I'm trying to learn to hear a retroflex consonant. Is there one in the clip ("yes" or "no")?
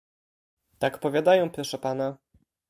yes